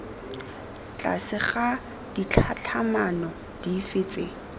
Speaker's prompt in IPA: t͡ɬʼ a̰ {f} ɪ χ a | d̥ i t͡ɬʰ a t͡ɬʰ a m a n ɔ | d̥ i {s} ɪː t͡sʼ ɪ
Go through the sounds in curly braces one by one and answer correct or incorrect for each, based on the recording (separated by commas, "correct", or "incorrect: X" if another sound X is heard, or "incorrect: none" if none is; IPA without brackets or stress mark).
incorrect: s, incorrect: f